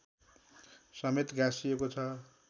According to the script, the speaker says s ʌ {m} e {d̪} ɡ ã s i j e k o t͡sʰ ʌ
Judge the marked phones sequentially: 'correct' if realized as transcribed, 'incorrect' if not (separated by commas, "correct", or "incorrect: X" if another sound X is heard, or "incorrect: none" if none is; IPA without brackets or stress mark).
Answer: correct, incorrect: t̪